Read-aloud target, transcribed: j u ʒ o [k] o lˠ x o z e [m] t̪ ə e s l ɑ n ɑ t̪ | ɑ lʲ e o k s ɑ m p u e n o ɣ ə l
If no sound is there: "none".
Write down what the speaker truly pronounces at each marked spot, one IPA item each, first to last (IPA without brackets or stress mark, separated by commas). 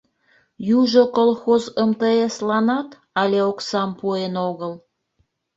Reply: k, m